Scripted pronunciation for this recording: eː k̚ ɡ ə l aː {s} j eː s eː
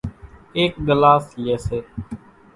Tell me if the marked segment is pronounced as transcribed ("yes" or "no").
yes